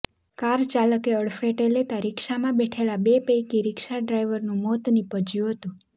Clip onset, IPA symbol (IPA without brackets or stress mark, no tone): k